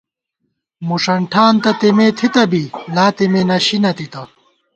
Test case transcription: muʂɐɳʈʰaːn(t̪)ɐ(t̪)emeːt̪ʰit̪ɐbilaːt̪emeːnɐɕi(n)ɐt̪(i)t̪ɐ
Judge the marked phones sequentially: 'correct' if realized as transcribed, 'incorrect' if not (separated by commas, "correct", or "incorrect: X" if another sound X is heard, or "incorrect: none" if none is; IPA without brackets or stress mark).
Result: correct, correct, correct, correct